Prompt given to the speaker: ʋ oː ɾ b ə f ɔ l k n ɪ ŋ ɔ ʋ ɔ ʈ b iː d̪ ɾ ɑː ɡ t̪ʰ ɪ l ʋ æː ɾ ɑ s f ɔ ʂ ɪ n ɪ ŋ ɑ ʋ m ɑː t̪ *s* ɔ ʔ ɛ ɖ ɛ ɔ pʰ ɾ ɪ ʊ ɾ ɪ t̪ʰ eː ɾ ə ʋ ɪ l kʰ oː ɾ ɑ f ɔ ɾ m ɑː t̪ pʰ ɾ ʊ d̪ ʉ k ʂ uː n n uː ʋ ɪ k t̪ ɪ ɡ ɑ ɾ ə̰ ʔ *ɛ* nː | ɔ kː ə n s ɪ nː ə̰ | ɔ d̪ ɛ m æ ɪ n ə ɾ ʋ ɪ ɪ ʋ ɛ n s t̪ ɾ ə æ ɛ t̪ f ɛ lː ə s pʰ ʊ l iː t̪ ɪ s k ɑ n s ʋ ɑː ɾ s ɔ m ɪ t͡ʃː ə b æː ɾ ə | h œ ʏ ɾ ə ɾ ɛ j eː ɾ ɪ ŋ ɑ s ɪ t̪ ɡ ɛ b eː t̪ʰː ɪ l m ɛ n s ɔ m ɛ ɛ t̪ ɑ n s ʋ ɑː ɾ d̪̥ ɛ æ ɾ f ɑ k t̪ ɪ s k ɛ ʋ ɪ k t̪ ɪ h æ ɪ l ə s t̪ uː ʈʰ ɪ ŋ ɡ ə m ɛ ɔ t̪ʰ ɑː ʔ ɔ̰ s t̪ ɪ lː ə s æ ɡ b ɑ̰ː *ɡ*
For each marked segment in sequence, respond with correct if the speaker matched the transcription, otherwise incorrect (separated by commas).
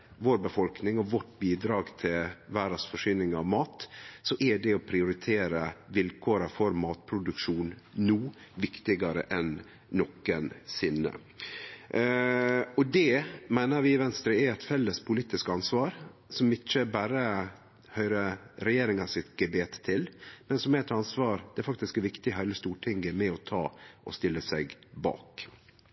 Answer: correct, correct, incorrect